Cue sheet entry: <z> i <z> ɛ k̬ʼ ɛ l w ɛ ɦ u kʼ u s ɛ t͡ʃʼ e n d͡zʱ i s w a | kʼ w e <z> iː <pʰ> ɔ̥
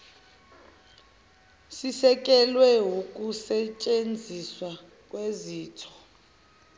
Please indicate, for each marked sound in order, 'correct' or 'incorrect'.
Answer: incorrect, incorrect, correct, incorrect

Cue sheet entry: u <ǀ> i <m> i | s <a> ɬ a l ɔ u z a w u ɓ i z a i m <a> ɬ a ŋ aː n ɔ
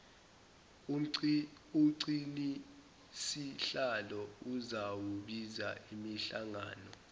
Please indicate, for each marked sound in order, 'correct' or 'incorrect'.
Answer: correct, incorrect, incorrect, incorrect

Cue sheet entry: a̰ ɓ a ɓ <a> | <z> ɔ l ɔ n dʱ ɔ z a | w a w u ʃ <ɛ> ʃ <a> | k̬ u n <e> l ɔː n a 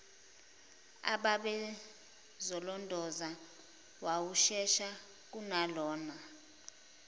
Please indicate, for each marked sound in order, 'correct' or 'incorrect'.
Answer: incorrect, correct, correct, correct, incorrect

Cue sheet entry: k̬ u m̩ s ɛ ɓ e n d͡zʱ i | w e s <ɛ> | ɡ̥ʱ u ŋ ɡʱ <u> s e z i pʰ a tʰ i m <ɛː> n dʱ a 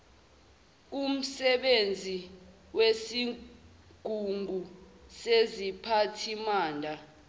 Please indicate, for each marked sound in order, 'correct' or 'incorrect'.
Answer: incorrect, correct, incorrect

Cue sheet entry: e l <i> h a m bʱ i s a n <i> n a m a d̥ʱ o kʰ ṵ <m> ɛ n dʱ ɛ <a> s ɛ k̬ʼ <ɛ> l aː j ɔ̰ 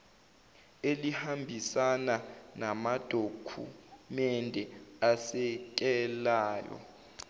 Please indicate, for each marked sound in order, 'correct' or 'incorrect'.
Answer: correct, incorrect, correct, correct, correct

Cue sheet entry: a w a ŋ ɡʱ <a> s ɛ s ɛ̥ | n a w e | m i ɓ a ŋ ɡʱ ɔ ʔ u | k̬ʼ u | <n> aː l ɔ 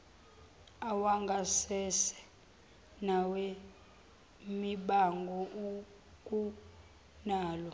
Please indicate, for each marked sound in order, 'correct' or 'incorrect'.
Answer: correct, correct

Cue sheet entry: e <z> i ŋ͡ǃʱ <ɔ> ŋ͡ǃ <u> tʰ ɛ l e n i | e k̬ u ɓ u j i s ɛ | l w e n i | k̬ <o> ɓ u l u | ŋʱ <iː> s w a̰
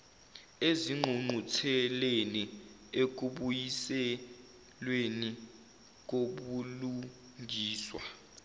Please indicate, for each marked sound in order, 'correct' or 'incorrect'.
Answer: correct, incorrect, correct, correct, correct

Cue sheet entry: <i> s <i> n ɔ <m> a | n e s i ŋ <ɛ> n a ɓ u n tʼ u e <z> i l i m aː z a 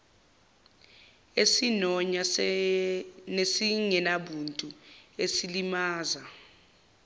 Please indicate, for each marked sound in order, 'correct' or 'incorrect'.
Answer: incorrect, correct, incorrect, correct, incorrect

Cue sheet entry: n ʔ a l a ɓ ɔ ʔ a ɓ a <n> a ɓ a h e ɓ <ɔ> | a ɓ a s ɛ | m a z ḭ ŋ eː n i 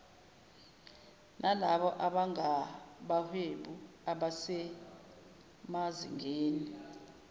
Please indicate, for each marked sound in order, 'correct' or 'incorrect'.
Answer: incorrect, incorrect

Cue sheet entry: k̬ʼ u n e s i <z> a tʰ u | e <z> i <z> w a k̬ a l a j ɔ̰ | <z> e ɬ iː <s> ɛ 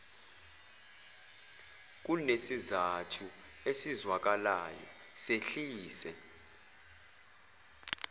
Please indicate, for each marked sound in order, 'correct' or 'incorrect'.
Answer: correct, incorrect, correct, incorrect, correct

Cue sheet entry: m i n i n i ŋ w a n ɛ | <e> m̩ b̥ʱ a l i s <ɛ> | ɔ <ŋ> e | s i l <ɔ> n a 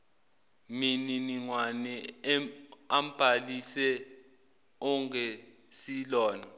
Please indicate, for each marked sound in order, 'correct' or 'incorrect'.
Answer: incorrect, correct, correct, incorrect

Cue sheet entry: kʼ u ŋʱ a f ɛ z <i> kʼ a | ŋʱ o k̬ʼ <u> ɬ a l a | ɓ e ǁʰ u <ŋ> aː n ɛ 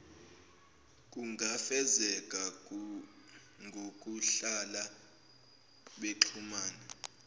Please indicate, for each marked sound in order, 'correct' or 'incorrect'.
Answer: incorrect, correct, incorrect

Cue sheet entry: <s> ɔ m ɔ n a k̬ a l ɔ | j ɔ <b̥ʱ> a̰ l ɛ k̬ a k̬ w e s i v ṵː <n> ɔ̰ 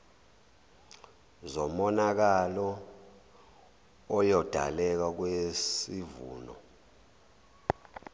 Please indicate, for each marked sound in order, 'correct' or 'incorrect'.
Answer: incorrect, incorrect, correct

